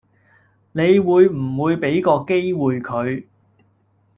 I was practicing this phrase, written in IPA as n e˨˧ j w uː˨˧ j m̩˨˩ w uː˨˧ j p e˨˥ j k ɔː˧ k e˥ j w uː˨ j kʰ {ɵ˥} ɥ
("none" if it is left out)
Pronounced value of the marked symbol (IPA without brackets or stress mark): ɵ˨˧